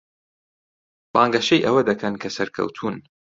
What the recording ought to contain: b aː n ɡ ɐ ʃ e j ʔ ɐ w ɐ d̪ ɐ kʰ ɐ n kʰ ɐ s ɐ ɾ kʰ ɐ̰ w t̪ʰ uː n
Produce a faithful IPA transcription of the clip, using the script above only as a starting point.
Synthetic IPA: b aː ŋ ɡ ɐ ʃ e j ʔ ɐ w ɐ d̪ ɐ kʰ ɐ n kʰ ɐ s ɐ ɾ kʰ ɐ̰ w t̪ʰ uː n